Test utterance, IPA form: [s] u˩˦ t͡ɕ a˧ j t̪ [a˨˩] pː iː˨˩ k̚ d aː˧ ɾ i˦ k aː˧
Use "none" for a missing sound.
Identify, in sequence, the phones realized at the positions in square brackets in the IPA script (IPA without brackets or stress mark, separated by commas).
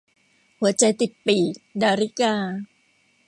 h, i˨˩